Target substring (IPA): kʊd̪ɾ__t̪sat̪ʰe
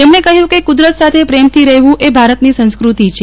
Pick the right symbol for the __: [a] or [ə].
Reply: ə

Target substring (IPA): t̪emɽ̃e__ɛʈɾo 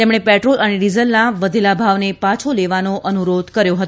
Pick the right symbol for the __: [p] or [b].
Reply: p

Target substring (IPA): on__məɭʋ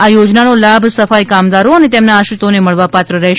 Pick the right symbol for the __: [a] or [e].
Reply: e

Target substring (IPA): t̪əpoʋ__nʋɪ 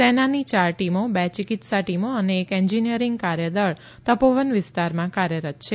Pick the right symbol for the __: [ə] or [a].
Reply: ə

